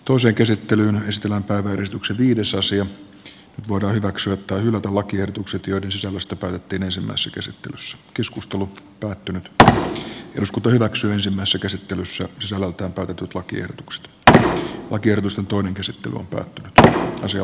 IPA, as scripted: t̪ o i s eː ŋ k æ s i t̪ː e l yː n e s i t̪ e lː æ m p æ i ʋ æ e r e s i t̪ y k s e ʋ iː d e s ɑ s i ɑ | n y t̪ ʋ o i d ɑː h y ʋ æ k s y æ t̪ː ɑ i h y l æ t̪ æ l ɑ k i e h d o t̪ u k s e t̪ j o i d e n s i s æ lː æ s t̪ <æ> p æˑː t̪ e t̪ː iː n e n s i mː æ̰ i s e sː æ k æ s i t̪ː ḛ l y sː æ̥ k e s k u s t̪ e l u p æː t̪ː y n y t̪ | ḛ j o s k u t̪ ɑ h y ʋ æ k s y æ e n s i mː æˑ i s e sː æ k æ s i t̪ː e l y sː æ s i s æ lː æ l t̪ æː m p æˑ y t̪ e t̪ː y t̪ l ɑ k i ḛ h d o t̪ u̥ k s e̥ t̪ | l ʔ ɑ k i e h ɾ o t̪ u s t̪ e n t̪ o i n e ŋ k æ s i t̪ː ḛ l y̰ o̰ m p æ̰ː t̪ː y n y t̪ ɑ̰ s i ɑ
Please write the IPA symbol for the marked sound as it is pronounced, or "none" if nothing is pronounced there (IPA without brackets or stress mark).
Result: æ